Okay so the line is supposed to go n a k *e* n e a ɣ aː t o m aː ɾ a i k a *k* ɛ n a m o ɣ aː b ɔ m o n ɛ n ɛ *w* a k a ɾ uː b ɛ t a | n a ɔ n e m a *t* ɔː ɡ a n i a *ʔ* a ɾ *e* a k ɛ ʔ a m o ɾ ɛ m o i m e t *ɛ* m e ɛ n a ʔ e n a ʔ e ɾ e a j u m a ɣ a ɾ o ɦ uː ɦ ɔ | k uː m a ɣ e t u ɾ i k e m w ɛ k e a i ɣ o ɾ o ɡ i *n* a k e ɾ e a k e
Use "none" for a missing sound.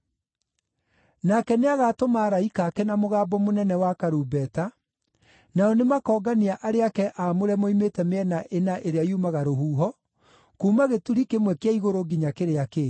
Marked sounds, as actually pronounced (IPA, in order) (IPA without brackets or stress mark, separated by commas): ɛ, k, w, k, ʔ, e, ɛ, ɲ